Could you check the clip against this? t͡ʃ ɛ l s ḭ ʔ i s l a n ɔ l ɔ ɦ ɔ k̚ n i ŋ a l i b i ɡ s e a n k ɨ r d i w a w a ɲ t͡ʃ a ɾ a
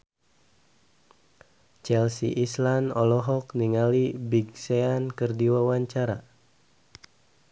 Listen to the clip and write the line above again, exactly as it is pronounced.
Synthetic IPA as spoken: t͡ʃ ɛ l s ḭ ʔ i s l a n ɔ l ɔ ɦ ɔ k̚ n i ŋ a l i b i ɡ s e a n k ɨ r d i w a w a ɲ t͡ʃ a ɾ a